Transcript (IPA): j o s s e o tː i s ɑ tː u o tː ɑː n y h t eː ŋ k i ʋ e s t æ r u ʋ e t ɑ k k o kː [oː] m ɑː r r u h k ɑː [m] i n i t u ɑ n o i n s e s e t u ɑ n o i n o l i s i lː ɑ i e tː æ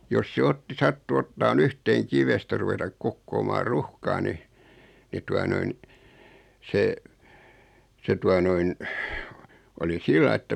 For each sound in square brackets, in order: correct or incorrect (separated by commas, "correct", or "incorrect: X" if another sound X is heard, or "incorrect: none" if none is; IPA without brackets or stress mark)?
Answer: correct, incorrect: n